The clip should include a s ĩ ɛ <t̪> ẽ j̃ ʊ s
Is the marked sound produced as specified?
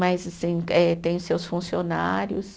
yes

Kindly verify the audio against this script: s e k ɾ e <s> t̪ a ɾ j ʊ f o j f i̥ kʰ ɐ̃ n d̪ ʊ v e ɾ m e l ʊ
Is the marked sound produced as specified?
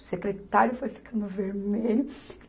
no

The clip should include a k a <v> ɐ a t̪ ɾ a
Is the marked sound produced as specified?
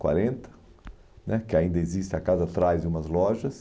no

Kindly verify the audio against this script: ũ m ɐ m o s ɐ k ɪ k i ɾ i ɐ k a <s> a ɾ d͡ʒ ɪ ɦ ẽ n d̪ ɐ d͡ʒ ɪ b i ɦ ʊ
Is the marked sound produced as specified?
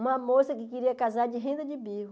no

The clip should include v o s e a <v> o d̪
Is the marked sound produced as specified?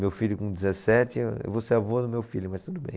yes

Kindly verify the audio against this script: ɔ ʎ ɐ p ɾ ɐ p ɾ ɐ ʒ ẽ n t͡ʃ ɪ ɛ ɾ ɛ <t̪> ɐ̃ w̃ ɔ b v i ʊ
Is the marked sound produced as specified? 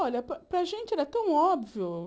yes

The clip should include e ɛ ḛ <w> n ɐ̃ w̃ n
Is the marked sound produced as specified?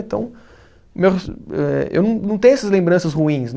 yes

